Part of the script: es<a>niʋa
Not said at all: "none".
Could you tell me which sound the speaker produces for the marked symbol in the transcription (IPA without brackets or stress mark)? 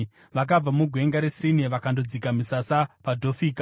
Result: i